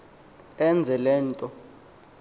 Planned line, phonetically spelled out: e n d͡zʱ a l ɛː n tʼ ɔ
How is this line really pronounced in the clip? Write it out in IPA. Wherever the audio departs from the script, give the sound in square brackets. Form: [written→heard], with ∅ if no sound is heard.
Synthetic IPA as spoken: [e→ɛ] n d͡zʱ [a→ɛ] l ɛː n tʼ ɔ